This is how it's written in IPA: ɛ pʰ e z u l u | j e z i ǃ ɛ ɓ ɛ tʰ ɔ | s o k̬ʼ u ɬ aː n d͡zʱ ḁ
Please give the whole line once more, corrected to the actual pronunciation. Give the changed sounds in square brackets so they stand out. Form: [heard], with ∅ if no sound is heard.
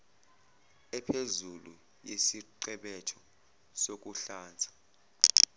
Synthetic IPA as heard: ɛ pʰ e z u l u | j e [s] i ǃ ɛ ɓ ɛ tʰ ɔ | s o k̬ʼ u ɬ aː n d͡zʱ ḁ